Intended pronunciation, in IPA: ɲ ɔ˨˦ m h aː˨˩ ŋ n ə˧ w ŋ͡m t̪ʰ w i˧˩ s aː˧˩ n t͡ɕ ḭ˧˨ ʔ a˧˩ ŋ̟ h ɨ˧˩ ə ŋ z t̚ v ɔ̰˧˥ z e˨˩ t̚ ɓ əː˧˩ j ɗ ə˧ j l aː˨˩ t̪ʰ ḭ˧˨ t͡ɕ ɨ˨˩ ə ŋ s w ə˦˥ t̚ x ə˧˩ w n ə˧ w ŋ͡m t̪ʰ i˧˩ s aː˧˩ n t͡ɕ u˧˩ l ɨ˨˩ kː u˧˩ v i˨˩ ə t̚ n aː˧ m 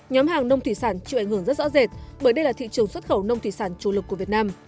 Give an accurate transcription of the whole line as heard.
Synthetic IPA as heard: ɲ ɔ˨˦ m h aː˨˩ ŋ n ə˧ w ŋ͡m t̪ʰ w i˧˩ s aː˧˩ n t͡ɕ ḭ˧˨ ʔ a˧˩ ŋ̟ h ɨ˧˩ ə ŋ z t̚ z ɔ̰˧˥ z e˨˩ t̚ ɓ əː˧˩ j ɗ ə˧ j l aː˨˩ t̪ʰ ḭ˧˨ t͡ɕ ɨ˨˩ ə ŋ s w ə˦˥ t̚ x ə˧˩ w n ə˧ w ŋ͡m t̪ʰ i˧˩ s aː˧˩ n t͡ɕ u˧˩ l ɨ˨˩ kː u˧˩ v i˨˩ ə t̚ n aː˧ m